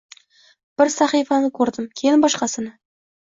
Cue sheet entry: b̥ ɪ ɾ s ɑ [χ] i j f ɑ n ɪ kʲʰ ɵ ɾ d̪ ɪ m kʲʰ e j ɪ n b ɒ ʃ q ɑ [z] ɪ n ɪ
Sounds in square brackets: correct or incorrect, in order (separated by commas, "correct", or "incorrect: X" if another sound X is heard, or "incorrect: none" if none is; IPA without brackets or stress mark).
correct, incorrect: s